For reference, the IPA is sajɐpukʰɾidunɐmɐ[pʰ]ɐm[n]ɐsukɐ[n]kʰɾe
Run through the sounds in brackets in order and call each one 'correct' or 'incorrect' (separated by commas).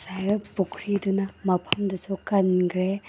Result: correct, incorrect, correct